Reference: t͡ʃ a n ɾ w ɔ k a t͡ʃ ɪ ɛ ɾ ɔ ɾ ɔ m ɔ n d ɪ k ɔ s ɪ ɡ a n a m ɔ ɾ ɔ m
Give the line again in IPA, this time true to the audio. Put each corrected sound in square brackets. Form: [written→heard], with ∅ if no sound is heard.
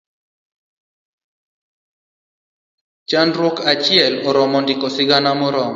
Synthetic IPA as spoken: t͡ʃ a n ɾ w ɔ k a t͡ʃ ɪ ɛ [ɾ→l] ɔ ɾ ɔ m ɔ n d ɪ k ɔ s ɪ ɡ a n a m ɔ ɾ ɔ m